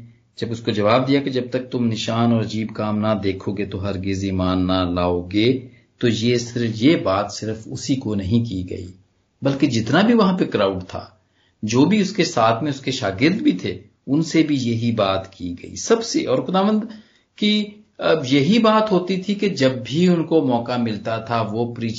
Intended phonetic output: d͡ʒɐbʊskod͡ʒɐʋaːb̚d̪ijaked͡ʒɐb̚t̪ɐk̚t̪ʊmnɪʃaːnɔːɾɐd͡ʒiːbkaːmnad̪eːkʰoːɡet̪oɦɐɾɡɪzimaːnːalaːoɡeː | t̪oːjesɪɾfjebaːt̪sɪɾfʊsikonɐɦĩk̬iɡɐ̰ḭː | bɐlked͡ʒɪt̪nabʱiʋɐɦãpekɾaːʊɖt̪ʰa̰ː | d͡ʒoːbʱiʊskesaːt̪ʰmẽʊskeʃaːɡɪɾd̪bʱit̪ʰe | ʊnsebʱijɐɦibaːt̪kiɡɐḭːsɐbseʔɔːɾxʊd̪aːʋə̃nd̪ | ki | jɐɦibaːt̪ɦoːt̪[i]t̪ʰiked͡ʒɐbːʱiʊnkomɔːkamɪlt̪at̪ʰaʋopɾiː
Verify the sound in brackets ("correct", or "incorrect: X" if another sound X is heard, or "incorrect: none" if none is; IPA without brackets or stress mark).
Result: correct